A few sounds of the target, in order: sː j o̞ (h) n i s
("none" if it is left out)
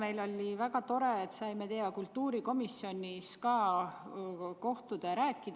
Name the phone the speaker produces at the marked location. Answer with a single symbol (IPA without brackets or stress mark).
none